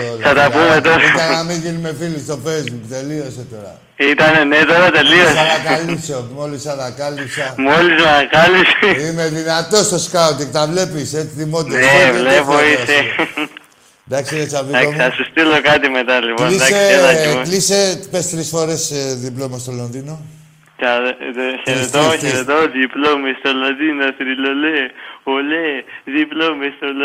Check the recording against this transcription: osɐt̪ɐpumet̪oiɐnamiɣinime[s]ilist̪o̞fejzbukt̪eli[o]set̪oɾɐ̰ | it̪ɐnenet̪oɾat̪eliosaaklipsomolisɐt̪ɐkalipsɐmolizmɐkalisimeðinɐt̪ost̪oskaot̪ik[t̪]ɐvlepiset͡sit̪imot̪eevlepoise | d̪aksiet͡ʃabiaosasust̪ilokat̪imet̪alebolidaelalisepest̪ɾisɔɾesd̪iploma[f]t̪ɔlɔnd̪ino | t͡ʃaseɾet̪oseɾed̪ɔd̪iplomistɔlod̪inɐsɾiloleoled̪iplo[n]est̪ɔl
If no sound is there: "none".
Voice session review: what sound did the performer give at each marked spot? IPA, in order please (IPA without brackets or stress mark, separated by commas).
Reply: f, o, t̪, s, m